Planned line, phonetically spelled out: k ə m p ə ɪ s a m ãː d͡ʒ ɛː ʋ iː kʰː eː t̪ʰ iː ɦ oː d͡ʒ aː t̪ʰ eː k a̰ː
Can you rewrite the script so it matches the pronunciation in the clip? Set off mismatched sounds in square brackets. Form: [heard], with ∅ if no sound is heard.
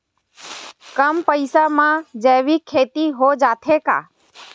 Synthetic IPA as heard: k ə m p ə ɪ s a m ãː d͡ʒ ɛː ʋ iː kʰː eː [t̪] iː ɦ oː d͡ʒ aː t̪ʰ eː k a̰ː